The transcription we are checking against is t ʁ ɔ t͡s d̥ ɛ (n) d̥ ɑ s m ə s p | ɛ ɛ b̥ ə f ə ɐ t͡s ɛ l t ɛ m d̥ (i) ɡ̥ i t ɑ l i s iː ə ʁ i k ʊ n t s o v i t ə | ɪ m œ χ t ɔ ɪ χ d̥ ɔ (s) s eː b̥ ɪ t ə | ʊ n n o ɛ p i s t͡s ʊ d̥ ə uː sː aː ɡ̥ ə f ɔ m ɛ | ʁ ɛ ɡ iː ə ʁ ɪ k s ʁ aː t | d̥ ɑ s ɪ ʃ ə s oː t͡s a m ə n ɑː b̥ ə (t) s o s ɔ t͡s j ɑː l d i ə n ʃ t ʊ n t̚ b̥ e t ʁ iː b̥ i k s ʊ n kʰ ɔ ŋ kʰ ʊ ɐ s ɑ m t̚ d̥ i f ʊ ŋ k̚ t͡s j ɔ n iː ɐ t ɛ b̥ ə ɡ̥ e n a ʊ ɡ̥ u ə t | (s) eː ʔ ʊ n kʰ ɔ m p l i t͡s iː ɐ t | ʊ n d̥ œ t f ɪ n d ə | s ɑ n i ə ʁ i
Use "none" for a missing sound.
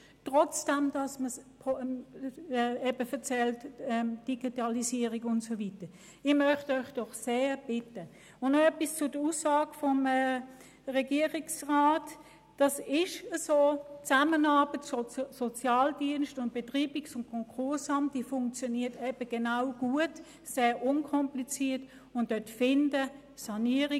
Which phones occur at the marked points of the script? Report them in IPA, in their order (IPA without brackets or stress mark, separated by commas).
m, i, χ, t, s